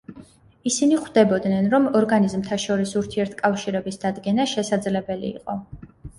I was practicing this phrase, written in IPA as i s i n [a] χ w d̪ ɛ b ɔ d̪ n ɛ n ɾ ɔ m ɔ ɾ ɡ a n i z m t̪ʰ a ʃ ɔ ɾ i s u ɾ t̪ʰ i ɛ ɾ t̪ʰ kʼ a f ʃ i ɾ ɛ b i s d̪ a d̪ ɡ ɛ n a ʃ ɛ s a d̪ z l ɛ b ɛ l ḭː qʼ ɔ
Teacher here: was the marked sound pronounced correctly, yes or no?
no